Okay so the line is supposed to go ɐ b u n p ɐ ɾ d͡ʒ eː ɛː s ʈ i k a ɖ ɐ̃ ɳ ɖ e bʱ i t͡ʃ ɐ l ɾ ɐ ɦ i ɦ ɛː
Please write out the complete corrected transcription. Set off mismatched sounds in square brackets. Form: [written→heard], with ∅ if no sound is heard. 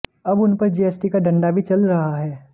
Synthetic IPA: ɐ b [u→ʊ] n p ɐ ɾ d͡ʒ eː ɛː s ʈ i k a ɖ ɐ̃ ɳ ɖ [e→a] bʱ i t͡ʃ ɐ l ɾ ɐ ɦ [i→a] ɦ ɛː